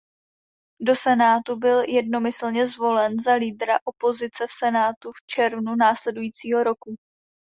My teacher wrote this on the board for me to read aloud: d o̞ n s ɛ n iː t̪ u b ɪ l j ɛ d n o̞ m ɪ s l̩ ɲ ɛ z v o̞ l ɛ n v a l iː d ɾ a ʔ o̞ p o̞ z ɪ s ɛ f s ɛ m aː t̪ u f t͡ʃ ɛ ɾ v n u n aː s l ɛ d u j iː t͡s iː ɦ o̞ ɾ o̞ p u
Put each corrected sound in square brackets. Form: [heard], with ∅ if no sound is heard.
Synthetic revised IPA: d o̞ [∅] s ɛ n [aː] t̪ u b ɪ l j ɛ d n o̞ m ɪ s l̩ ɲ ɛ z v o̞ l ɛ n [z] a l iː d ɾ a ʔ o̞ p o̞ z ɪ [t͡s] ɛ f s ɛ [n] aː t̪ u f t͡ʃ ɛ ɾ v n u n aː s l ɛ d u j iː t͡s iː ɦ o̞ ɾ o̞ [k] u